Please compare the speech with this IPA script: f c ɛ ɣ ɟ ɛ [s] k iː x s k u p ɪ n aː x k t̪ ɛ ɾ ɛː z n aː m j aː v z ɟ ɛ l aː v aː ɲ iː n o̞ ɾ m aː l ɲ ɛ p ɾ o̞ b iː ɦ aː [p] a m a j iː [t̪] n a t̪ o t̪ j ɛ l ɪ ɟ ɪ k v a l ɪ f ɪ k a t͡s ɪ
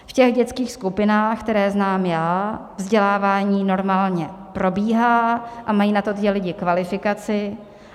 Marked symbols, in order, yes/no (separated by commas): no, no, no